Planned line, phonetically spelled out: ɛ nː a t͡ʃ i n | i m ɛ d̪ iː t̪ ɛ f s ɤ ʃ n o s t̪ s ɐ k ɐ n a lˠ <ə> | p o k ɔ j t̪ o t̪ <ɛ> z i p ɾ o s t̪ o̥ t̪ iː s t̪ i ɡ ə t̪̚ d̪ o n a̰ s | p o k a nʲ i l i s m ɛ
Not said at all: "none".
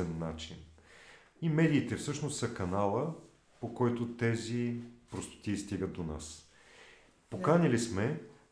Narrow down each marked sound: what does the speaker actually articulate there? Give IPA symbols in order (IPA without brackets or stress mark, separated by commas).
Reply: ə, ɛ